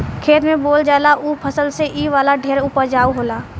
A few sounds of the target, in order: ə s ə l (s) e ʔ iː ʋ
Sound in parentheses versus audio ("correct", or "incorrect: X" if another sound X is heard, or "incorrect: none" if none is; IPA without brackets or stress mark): correct